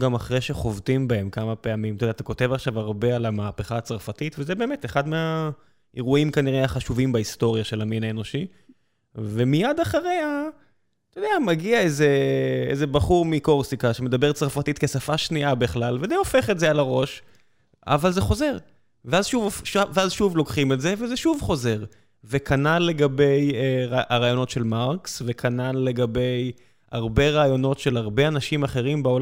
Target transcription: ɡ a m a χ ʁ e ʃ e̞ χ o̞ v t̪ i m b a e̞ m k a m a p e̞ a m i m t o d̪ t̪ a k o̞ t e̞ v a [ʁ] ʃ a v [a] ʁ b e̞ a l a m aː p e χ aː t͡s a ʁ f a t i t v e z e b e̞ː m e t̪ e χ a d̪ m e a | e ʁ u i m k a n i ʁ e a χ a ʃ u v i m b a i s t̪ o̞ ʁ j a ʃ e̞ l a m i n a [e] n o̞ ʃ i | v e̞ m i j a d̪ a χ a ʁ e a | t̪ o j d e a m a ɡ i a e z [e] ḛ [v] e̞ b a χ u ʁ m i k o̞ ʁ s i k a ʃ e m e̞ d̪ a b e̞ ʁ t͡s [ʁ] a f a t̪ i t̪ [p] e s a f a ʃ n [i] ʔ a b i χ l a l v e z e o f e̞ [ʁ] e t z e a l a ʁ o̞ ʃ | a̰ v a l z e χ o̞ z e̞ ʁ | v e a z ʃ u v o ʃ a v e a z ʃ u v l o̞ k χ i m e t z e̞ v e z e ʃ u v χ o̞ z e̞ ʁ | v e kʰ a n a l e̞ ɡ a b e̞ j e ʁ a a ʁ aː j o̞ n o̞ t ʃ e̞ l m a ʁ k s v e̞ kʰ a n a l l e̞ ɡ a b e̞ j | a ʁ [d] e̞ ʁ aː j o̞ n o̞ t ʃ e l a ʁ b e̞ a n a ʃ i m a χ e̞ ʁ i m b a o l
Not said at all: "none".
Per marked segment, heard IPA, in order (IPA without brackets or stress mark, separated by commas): χ, a, e, e, z, ʁ, k, i, χ, b